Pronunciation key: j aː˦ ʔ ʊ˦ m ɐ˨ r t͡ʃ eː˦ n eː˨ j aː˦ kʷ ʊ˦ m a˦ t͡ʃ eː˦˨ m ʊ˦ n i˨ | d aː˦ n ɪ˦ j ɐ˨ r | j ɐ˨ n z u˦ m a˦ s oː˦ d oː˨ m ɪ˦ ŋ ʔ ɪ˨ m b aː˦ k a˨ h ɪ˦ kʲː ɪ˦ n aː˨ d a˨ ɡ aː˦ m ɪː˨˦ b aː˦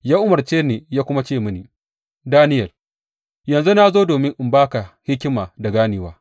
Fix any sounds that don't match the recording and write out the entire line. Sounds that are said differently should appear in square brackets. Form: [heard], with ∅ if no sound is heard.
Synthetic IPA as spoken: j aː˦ ʔ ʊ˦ m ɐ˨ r t͡ʃ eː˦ n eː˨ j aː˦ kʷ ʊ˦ m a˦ t͡ʃ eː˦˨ m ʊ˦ n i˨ | d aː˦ n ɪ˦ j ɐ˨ r | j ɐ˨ n z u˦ [n] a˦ [z] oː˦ d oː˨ m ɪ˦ ŋ ʔ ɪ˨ m b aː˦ k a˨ h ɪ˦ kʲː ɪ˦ [m] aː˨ d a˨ ɡ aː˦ [n] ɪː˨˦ [w] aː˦